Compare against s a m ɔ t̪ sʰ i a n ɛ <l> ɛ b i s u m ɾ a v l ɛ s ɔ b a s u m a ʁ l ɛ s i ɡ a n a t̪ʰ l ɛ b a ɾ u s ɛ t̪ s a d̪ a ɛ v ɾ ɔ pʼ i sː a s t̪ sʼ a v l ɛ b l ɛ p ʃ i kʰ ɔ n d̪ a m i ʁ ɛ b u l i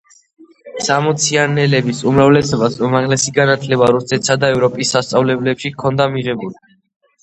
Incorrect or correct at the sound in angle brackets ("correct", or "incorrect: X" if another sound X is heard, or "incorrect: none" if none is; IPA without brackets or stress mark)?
correct